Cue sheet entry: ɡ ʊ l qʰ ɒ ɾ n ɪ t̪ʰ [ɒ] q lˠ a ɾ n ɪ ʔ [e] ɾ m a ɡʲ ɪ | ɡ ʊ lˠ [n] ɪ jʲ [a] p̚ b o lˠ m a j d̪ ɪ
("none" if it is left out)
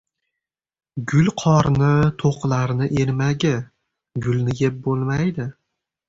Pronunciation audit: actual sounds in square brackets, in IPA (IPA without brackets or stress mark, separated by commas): o, e, n, e